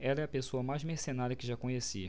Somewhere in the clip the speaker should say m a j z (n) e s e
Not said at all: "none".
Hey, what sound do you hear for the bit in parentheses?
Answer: m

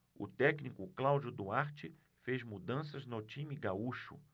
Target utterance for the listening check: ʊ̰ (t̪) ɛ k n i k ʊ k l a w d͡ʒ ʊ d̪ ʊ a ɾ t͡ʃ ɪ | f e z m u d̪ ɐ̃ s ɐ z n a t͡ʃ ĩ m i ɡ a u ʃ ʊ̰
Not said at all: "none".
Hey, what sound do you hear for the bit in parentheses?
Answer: t̪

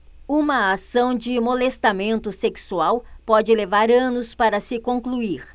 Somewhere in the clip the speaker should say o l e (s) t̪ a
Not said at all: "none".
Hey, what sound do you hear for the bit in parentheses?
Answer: s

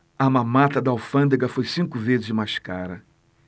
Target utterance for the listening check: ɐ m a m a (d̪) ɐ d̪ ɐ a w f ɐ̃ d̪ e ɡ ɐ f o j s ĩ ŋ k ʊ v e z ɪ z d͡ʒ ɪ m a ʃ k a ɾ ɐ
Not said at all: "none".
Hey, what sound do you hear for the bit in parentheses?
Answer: t̪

